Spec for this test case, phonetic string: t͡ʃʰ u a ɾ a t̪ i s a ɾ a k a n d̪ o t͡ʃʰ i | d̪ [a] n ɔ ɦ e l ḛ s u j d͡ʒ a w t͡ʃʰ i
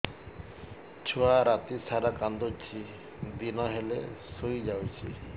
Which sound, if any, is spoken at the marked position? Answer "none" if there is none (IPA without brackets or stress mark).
i